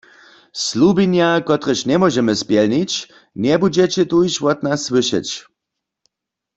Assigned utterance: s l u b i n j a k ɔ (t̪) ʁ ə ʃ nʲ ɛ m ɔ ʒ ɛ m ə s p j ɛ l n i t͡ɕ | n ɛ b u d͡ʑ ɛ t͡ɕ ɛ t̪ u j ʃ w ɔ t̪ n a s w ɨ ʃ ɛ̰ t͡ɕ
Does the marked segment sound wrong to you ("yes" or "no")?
no